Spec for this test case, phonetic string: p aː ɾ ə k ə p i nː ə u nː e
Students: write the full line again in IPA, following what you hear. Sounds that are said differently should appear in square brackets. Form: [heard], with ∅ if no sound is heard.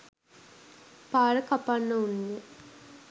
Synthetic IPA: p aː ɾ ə k [a] p [a] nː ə u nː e